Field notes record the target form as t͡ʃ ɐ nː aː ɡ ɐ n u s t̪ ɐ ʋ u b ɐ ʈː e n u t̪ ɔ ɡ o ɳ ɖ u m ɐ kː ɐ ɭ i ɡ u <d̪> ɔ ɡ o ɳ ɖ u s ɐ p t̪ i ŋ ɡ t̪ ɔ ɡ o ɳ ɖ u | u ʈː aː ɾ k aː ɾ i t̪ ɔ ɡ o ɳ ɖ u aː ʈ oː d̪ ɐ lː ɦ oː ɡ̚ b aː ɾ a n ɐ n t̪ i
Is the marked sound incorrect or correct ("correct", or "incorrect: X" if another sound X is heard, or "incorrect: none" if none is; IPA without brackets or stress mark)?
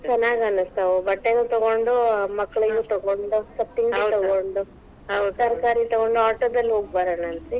incorrect: t̪